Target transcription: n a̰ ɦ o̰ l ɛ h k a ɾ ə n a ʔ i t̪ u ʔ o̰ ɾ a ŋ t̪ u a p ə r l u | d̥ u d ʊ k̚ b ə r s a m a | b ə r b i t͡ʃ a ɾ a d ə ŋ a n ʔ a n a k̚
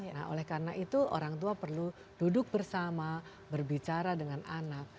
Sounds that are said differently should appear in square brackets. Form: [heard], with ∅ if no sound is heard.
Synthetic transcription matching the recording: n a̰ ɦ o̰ l ɛ h k a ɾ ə n a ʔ i t̪ u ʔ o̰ ɾ a ŋ t̪ u a p ə r l u | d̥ u d ʊ k̚ b ə r s a m a | b ə r b i t͡ʃ a ɾ a d ə ŋ a n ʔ a n a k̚